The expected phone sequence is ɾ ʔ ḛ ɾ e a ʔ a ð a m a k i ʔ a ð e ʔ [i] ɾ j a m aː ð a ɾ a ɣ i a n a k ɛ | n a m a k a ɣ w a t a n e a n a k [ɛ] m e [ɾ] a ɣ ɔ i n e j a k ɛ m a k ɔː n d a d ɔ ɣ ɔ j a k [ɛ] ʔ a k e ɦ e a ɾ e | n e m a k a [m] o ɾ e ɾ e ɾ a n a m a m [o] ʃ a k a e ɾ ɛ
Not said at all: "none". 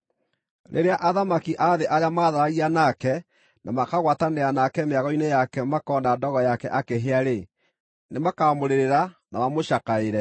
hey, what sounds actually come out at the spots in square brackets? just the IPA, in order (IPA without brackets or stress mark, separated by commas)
a, ɛ, none, ɛ, m, o